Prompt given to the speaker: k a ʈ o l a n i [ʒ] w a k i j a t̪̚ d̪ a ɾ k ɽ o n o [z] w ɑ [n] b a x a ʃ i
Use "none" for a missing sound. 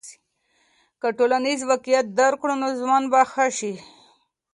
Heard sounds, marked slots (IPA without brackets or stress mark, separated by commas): z, z, n